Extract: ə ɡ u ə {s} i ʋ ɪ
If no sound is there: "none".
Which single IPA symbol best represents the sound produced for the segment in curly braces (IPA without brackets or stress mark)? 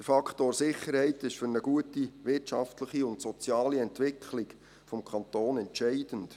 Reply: t